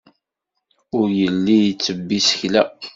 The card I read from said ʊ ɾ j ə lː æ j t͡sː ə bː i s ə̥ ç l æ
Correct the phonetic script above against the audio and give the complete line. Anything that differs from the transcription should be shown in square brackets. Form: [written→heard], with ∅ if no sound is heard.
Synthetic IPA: ʊ ɾ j ə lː [æ→i] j t͡sː ə bː i s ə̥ ç l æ